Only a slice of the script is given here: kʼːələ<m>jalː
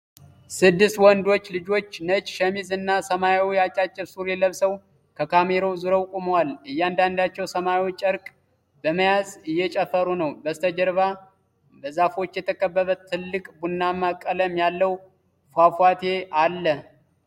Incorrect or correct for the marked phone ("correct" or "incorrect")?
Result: correct